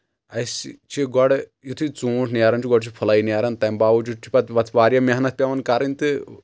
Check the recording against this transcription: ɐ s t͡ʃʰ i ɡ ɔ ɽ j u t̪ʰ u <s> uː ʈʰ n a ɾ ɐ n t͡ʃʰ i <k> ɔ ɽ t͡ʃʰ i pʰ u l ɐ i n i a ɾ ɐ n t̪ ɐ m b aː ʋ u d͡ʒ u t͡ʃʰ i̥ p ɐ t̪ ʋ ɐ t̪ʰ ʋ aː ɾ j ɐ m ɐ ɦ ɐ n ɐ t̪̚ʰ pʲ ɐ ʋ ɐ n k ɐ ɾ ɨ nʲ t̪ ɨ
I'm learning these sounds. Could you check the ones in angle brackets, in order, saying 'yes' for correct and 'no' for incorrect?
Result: no, no

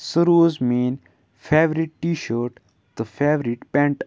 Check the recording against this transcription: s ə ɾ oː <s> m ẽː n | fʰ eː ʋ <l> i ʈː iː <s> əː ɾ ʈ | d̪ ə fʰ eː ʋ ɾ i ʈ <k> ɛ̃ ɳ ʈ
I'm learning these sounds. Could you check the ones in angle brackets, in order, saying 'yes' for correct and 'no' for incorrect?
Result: no, no, no, no

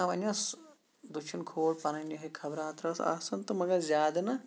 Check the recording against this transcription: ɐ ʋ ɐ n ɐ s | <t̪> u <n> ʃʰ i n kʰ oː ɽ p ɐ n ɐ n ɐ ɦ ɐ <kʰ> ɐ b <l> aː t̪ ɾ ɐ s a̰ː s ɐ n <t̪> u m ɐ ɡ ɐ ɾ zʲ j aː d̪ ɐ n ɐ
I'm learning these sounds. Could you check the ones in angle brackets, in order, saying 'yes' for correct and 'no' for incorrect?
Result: no, no, yes, no, yes

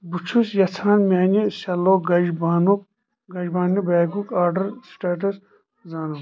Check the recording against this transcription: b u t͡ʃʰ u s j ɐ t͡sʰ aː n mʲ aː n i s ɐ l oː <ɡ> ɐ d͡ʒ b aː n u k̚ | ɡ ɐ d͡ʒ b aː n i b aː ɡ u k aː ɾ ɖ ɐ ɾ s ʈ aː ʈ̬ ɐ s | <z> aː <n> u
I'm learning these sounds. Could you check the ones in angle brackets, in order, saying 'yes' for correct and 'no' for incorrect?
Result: yes, yes, yes

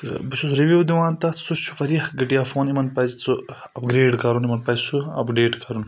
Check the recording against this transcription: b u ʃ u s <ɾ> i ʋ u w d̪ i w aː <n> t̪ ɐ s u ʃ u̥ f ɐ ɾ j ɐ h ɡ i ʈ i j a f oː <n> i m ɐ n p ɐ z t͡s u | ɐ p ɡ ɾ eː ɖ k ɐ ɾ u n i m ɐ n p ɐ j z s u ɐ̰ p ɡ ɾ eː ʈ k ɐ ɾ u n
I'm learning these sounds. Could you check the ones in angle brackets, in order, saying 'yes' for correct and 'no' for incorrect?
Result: yes, yes, yes

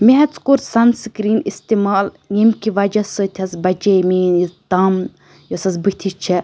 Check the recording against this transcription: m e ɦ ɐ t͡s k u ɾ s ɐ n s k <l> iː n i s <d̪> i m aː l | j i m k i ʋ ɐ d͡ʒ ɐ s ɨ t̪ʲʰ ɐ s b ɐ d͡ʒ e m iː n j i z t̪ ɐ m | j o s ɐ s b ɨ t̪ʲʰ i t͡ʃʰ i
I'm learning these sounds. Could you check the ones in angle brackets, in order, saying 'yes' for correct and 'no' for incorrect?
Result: no, no

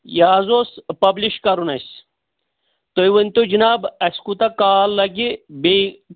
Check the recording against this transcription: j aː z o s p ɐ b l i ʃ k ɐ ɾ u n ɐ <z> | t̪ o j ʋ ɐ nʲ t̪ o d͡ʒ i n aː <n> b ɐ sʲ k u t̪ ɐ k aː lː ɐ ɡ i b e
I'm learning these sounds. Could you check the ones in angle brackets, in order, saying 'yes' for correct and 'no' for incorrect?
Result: no, no

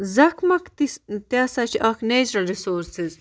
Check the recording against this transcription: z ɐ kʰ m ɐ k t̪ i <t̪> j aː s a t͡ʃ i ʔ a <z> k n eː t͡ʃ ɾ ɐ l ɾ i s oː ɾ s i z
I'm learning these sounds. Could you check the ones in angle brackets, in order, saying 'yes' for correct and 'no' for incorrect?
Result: yes, no

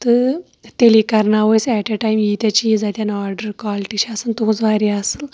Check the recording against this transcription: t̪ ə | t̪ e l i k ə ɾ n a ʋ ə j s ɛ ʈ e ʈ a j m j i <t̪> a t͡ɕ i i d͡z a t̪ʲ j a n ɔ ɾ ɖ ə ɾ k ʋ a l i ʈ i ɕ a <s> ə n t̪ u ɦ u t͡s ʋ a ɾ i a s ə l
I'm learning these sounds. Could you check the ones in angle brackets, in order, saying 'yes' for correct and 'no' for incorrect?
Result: yes, yes

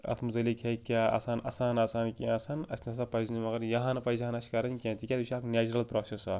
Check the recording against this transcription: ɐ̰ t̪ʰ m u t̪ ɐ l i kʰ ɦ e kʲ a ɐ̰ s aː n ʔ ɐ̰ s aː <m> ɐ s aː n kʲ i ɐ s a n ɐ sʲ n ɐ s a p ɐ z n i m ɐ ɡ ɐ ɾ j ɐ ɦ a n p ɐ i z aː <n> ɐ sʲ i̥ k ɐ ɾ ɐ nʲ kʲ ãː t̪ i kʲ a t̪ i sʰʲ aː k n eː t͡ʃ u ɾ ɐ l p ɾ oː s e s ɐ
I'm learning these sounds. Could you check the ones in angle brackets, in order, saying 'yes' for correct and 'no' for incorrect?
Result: no, yes

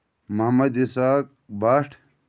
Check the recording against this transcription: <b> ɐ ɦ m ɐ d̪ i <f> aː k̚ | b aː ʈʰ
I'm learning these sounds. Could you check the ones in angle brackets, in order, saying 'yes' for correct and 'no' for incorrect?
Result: no, no

